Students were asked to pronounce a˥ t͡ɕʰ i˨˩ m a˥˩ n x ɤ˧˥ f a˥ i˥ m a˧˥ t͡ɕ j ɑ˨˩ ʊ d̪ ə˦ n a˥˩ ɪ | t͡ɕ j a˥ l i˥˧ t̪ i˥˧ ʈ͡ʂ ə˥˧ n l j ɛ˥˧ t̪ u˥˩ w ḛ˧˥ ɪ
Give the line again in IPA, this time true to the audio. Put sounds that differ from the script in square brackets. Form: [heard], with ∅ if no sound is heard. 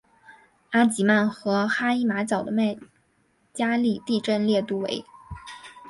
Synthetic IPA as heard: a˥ [t͡ɕ] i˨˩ m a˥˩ n x ɤ˧˥ [x] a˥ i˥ m a˧˥ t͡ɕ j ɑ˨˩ ʊ d̪ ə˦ [m] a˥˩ ɪ | t͡ɕ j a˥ l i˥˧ t̪ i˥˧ ʈ͡ʂ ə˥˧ n l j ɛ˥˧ t̪ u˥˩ w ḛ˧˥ ɪ